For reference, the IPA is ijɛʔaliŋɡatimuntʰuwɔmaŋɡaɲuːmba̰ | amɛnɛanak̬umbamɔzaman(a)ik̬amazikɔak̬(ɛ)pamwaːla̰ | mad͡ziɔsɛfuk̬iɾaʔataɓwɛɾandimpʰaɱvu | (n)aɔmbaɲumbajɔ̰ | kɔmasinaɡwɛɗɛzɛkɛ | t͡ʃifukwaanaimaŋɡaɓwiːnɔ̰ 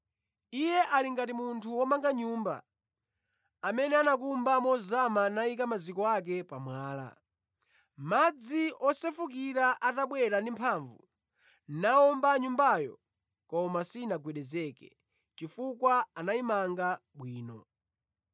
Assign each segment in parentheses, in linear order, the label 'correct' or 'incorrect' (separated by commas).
correct, correct, correct